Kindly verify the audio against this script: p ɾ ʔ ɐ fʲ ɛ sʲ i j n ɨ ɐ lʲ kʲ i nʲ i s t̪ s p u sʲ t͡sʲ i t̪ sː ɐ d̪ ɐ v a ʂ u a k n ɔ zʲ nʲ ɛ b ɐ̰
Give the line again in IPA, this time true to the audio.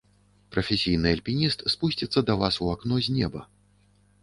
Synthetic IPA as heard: p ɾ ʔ ɐ fʲ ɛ sʲ i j n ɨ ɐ lʲ pʲ i nʲ i s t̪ s p u sʲ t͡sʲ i t̪ sː ɐ d̪ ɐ v a s u a k n ɔ zʲ nʲ ɛ b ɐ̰